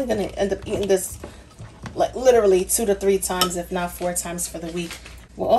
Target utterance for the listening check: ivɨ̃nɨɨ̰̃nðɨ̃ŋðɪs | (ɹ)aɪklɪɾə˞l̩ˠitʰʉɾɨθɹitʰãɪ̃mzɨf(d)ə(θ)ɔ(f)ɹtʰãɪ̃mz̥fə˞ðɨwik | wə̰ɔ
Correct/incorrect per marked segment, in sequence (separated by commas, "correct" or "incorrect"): incorrect, incorrect, incorrect, incorrect